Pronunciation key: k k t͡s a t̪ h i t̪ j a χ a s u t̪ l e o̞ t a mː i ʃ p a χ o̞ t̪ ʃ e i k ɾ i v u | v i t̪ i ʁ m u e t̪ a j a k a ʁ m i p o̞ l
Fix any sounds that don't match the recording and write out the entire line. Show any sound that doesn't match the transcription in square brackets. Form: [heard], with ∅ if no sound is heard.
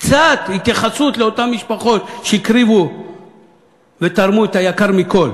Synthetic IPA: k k t͡s a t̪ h i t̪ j a χ a s u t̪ l e o̞ t a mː i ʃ p a χ o̞ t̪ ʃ e i k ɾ i v u | v [e] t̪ [a] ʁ m u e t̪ a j a k a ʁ m i [k] o̞ l